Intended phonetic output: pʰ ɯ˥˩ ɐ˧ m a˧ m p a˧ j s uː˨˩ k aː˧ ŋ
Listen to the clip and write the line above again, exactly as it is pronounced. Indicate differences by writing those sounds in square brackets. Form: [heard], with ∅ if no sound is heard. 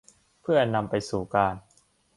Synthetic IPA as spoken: pʰ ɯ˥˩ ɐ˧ [n] a˧ m p a˧ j s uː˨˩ k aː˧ [n]